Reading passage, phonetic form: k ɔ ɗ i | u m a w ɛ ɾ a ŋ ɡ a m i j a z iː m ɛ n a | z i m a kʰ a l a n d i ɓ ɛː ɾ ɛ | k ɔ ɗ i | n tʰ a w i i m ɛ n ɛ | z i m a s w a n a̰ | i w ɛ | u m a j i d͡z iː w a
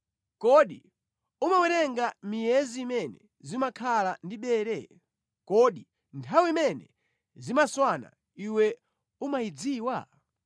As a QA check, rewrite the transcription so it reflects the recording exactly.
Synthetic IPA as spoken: k ɔ ɗ i | u m a w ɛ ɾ ɛ ŋ ɡ a m i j ɛ z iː m ɛ n ɛ | z i m a kʰ a l a n d i ɓ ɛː ɾ ɛ | k ɔ ɗ i | n tʰ a w i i m ɛ n ɛ | z i m a s w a n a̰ | i w ɛ | u m a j i d͡z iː w a